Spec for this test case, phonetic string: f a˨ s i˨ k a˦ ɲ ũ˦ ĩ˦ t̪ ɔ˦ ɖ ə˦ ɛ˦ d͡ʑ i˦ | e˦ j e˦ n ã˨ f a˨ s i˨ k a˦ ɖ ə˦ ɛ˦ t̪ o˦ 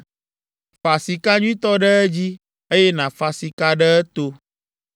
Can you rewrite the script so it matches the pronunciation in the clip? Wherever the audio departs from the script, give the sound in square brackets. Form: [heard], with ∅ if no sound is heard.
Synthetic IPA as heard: f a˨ s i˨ k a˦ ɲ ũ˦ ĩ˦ t̪ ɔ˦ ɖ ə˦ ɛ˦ d͡ʑ i˦ | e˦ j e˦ n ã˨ f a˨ s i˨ k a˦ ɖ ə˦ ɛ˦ t̪ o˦